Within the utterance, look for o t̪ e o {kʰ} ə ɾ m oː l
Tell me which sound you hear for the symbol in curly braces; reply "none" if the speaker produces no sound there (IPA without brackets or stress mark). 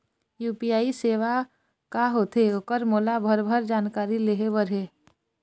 k